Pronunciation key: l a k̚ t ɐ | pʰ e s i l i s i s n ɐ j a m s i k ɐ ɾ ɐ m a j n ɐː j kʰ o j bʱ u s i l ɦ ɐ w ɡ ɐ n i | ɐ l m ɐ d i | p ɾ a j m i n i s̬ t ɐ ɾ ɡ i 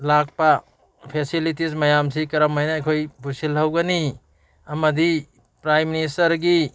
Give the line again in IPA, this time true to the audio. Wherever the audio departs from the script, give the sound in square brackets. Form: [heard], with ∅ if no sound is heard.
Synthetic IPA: l a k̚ [p] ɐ | pʰ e s i l i [t] i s [m] ɐ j a m s i k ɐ ɾ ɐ m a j n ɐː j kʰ o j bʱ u s i l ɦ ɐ w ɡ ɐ n i | ɐ [∅] m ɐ d i | p ɾ a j m i n i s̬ t ɐ ɾ ɡ i